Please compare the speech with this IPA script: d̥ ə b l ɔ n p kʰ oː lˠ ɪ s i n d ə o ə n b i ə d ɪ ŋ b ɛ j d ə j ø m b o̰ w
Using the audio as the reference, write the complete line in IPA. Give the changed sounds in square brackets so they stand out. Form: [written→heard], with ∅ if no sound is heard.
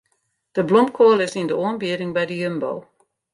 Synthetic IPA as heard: d̥ ə b l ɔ [n→m] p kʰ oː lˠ ɪ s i n d ə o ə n b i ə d ɪ ŋ b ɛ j d ə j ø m b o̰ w